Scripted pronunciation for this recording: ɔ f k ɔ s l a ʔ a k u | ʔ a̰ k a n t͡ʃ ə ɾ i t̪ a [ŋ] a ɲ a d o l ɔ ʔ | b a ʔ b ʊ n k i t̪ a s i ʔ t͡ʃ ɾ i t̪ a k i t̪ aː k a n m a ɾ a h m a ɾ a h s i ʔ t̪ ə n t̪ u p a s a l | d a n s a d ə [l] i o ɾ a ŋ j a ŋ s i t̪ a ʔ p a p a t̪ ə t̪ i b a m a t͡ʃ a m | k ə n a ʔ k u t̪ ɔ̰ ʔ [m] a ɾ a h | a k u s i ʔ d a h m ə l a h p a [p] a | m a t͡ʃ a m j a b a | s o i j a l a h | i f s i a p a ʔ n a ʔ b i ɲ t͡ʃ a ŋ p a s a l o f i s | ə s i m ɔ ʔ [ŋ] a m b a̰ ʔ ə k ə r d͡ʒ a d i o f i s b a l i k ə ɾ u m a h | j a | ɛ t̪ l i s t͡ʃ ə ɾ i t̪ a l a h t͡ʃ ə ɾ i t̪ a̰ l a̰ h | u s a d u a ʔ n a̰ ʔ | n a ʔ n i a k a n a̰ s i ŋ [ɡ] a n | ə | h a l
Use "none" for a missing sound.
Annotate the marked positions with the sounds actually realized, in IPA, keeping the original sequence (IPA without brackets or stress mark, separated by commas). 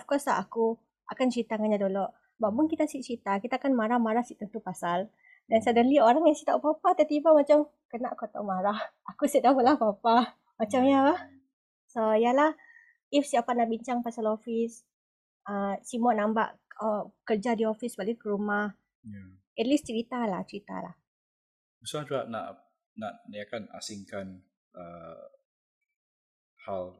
ŋ, l, m, p, n, k